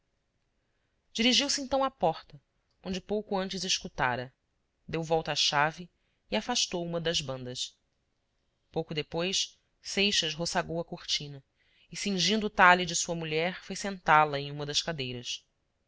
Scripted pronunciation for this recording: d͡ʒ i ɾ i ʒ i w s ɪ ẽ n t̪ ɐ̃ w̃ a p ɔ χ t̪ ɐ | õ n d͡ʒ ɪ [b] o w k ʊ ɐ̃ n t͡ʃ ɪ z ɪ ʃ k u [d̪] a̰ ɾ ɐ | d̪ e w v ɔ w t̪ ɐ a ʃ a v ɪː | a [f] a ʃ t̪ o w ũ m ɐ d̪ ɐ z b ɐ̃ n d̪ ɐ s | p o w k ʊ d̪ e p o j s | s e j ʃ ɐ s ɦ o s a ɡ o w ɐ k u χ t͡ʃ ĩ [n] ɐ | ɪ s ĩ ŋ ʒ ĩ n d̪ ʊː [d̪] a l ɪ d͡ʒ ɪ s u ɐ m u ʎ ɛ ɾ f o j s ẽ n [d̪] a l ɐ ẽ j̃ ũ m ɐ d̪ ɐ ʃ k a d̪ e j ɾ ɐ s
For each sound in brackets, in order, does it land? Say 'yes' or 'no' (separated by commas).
no, no, yes, yes, no, no